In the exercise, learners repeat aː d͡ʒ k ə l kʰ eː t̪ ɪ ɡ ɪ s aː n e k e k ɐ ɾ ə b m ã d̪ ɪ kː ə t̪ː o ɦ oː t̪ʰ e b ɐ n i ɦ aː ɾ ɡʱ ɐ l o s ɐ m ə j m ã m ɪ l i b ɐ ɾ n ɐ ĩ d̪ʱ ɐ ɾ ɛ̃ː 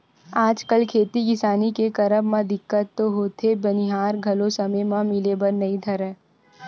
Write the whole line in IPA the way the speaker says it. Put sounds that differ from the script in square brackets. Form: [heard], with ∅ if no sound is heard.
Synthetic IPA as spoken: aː d͡ʒ k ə l kʰ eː t̪ [i] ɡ ɪ s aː n [i] k e k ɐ ɾ ə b m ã d̪ ɪ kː ə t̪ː o ɦ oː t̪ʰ e b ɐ n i ɦ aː ɾ ɡʱ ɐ l o s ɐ m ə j m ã m ɪ l [e] b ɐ ɾ n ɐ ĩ d̪ʱ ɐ ɾ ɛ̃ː